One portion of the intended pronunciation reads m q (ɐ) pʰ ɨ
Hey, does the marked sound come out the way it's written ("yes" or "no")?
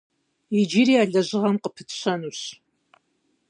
no